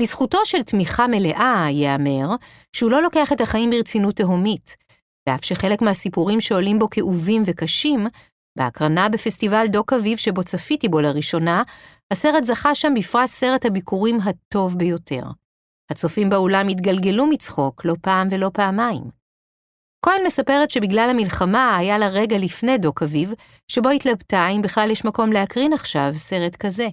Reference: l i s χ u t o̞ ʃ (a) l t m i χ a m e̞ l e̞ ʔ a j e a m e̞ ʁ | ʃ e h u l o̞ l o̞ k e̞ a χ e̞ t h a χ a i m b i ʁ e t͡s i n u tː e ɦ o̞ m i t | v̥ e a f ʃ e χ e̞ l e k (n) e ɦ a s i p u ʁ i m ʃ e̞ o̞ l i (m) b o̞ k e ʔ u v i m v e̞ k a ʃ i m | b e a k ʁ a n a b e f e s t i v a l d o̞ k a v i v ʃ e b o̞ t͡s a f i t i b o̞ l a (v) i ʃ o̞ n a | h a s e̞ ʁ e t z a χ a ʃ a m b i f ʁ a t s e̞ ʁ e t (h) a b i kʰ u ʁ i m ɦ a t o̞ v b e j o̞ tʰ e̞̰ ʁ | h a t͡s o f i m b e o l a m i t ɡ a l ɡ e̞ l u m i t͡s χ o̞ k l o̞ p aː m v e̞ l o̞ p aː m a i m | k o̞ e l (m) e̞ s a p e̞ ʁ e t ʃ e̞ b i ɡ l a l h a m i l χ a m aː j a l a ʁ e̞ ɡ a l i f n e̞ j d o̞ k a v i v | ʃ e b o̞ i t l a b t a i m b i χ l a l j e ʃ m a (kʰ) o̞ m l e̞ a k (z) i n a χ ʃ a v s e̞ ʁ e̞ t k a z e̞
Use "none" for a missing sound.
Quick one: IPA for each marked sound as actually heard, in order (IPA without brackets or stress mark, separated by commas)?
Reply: e, m, m, ʁ, h, m, k, ʁ